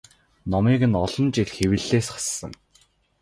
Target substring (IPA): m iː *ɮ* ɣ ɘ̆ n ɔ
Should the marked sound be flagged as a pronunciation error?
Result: yes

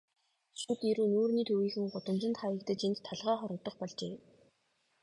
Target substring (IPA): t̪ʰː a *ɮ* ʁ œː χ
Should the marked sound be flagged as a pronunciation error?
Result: no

